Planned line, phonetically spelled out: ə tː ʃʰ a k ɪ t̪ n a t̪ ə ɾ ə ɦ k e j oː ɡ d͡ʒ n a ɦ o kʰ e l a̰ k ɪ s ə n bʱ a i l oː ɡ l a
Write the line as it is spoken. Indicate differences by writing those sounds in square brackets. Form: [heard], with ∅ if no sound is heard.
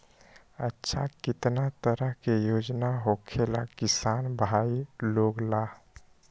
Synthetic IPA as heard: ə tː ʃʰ a k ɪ t̪ n a t̪ ə ɾ ə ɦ k e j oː [∅] d͡ʒ n a ɦ o kʰ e l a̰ k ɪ s [a] n bʱ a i l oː ɡ l a